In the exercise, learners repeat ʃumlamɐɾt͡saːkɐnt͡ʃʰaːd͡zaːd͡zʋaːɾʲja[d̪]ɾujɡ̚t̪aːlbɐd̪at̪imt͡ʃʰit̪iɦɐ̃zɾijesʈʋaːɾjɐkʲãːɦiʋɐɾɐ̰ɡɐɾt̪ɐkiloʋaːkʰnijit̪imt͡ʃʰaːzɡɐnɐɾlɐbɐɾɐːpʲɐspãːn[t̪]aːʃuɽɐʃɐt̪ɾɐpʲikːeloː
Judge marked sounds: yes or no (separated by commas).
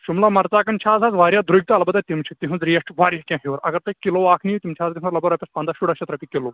yes, no